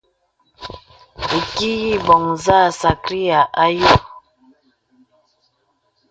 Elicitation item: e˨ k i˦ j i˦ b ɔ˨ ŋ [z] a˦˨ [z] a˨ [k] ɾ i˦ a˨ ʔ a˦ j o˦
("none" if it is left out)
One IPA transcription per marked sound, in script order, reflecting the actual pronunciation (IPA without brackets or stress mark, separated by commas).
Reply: z, s, k